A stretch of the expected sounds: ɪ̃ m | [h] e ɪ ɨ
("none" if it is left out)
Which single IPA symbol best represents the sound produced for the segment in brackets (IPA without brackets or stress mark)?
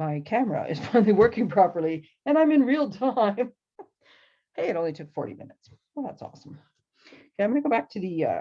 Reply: h